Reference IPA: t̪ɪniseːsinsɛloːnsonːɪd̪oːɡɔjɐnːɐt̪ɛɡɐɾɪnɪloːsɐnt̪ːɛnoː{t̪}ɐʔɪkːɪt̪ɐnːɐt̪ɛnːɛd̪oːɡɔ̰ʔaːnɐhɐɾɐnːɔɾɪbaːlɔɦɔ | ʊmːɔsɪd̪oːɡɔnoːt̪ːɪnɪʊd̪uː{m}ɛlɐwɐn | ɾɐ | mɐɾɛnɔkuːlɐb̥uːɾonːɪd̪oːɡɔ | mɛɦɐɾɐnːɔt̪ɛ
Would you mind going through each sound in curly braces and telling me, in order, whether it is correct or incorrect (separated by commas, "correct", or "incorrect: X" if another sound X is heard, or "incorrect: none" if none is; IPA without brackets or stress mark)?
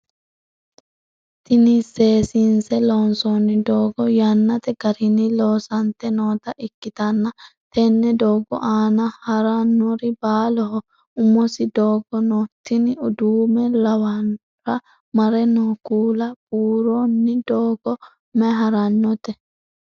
correct, correct